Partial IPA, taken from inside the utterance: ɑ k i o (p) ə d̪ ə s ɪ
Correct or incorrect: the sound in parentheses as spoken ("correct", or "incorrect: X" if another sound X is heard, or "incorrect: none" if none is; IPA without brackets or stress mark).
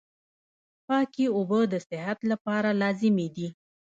incorrect: b